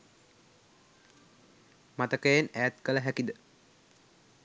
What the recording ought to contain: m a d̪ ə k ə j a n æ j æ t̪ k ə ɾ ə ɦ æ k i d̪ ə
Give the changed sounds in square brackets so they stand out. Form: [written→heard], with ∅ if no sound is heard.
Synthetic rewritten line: m a [d̪→t̪] ə k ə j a n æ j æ t̪ k ə [ɾ→l] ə ɦ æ k i d̪ ə